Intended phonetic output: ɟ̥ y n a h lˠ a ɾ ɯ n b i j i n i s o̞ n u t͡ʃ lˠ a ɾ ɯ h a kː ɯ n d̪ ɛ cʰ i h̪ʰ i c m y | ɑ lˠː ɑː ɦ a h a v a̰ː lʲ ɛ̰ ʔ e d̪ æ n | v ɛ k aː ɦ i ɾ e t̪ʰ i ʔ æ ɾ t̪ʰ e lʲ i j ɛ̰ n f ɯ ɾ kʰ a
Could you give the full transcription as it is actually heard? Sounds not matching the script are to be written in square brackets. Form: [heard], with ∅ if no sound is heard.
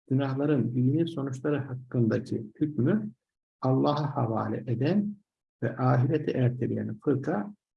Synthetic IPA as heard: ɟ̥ y n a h lˠ a ɾ ɯ n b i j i n i s o̞ n u t͡ʃ lˠ a ɾ ɯ h a kː ɯ n d̪ [a] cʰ i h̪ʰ [y] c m y | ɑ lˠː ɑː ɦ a h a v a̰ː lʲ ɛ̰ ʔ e d̪ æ n | v ɛ [ʔ] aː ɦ i ɾ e t̪ʰ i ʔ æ ɾ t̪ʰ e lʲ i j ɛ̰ n f ɯ ɾ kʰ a